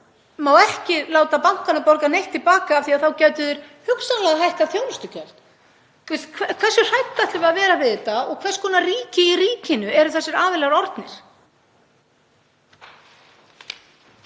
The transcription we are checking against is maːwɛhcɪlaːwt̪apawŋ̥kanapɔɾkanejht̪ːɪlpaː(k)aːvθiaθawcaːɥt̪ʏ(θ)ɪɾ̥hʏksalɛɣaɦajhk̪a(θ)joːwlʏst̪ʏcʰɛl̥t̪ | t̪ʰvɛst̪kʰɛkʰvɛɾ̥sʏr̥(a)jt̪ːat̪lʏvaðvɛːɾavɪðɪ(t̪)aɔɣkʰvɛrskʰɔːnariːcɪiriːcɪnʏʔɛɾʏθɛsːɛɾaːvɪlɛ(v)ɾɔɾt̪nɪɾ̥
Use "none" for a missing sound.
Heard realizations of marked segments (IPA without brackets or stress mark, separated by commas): k, ð, θ, a, t̪, ɣ